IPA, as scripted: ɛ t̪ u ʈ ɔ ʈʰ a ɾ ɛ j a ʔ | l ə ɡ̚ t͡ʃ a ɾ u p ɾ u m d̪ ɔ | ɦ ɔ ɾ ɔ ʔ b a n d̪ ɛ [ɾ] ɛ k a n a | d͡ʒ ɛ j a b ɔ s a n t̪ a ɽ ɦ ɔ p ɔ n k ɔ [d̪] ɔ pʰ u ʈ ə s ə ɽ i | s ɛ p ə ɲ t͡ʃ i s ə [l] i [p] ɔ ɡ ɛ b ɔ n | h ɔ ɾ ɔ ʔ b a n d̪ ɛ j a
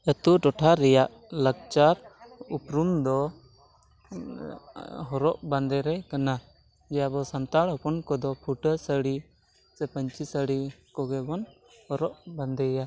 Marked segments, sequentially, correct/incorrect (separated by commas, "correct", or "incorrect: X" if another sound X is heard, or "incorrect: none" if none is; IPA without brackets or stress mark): correct, correct, incorrect: ɽ, incorrect: k